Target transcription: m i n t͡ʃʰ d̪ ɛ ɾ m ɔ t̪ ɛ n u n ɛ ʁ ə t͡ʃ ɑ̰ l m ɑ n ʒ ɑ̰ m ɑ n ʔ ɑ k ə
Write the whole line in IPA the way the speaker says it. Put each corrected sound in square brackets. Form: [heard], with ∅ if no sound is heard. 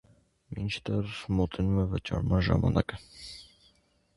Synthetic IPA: m i n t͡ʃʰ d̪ ɛ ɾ m ɔ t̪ ɛ n u [m] ɛ [v] ə t͡ʃ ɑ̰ [ɾ] m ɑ n ʒ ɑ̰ m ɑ n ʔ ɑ k ə